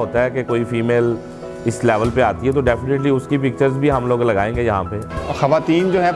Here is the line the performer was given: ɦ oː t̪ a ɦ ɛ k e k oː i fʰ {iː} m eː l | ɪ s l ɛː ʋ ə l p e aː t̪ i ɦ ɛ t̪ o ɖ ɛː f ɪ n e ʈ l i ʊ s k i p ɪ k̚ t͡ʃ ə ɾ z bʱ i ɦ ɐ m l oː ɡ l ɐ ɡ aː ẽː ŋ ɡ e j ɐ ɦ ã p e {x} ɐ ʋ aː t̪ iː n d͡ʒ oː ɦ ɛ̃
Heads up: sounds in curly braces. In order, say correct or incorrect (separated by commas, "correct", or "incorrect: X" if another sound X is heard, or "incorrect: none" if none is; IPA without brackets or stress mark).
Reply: correct, correct